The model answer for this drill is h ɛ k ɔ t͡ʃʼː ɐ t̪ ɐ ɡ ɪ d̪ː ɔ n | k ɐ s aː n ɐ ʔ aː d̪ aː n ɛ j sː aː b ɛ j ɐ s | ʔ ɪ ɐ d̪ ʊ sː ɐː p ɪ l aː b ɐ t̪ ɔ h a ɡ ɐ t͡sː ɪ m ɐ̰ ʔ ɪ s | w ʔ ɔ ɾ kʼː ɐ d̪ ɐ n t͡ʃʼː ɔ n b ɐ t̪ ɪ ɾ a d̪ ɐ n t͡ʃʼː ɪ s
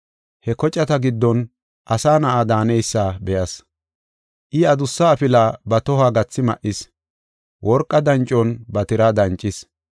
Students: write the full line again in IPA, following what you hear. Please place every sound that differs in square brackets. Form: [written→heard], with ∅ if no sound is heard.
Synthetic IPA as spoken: h ɛ k ɔ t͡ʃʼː ɐ t̪ ɐ ɡ ɪ d̪ː ɔ n | [k→ʔ] ɐ s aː n ɐ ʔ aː d̪ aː n ɛ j sː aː b ɛ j ɐ s | ʔ ɪ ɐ d̪ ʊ sː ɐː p ɪ l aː b ɐ t̪ ɔ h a ɡ ɐ t͡sː ɪ m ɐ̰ ʔ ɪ s | w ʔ ɔ ɾ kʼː ɐ d̪ ɐ n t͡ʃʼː ɔ n b ɐ t̪ ɪ ɾ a d̪ ɐ n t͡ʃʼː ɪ s